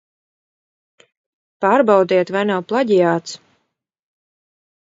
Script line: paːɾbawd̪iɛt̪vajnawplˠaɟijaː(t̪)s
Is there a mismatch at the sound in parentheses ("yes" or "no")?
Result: no